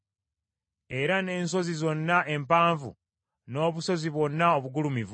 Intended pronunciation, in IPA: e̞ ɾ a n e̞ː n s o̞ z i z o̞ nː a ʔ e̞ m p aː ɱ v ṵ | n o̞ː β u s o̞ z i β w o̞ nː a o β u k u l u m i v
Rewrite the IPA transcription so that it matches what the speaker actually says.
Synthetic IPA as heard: e̞ ɾ a n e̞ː n s o̞ z i z o̞ nː a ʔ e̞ m p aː ɱ v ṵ | n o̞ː β u s o̞ z i β w o̞ nː a o β u ɡ u l u m i v